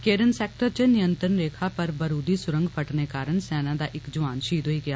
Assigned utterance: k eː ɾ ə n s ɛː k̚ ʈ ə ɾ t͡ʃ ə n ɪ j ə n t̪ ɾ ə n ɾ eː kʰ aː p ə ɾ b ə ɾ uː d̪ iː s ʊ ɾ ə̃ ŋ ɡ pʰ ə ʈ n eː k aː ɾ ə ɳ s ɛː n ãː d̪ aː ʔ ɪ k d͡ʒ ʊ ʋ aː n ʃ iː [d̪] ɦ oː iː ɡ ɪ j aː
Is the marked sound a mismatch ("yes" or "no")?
no